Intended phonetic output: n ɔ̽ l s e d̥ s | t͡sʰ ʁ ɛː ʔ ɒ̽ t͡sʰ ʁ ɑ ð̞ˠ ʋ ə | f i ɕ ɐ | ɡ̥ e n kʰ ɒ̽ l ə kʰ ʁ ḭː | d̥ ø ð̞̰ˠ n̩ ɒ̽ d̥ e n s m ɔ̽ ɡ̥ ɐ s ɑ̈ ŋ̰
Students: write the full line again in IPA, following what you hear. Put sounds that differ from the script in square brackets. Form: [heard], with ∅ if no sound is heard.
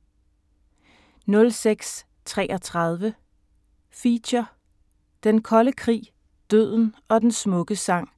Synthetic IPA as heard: n ɔ̽ l s e [ɡ̥] s | t͡sʰ ʁ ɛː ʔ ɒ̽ t͡sʰ ʁ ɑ ð̞ˠ ʋ ə | f i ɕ ɐ | [d̥] e n kʰ ɒ̽ l ə kʰ ʁ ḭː | d̥ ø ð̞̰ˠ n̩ ɒ̽ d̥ e n s m ɔ̽ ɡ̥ [ə] s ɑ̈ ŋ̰